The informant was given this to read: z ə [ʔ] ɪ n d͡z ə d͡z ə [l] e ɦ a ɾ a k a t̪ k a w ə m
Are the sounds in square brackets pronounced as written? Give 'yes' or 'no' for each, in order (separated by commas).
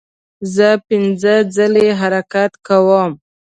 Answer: no, yes